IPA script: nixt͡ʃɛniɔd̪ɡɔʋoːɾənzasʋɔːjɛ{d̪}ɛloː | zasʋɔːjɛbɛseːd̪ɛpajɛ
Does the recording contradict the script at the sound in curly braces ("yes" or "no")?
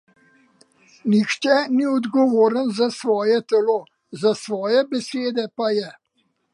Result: yes